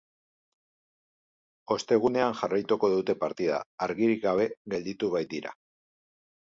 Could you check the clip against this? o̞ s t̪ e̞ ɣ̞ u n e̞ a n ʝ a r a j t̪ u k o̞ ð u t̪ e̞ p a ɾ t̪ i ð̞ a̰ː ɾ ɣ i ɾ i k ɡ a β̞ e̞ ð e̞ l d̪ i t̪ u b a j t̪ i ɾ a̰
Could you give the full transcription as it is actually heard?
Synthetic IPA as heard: o̞ s t̪ e̞ ɣ̞ u n e̞ a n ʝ a r a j t̪ u k o̞ ð u t̪ e̞ p a ɾ t̪ i ð̞ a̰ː ɾ ɣ i ɾ i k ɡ a β̞ e̞ ɣ e̞ l d̪ i t̪ u β a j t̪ i ɾ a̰